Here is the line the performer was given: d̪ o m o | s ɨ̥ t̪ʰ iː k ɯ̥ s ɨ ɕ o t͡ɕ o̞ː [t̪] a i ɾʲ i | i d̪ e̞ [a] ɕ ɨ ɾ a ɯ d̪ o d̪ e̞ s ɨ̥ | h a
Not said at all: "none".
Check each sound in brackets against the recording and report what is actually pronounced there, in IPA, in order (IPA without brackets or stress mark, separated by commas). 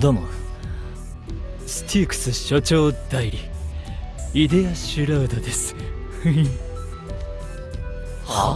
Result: d̪, a